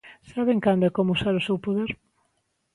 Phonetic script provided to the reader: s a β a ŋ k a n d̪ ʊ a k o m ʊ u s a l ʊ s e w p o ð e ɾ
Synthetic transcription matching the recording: s a β e ŋ k a n d̪ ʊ ɛ k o m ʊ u s a ɾ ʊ s e w p o ð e ɾ